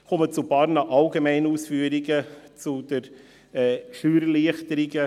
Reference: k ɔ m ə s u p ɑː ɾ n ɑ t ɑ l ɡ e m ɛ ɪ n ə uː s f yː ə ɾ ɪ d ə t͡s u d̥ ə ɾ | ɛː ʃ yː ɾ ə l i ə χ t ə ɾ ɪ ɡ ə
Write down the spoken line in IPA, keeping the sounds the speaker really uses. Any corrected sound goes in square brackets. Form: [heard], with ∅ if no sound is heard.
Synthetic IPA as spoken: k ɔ m ə [t͡s] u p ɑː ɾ n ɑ [ʔ] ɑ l ɡ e m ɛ ɪ n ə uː s f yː ə ɾ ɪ [ɡ] ə t͡s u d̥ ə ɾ | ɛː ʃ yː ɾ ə l i ə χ t ə ɾ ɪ ɡ ə